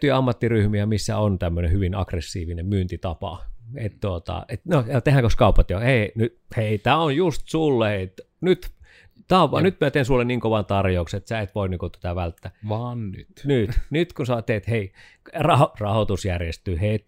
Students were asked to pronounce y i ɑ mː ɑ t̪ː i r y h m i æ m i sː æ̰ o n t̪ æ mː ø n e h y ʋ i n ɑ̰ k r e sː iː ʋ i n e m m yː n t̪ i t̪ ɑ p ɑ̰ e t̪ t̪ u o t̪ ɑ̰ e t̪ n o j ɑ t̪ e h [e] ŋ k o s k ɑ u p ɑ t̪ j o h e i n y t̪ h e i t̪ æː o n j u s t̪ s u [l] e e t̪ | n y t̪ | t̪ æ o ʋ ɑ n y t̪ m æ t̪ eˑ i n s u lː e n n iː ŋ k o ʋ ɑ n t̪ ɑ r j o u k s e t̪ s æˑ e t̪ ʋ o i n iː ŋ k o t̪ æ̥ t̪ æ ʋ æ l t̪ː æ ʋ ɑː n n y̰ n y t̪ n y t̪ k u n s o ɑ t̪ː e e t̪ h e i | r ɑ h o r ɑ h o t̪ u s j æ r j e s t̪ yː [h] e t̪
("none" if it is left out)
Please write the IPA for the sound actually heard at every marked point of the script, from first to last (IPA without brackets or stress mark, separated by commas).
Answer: æ, lː, h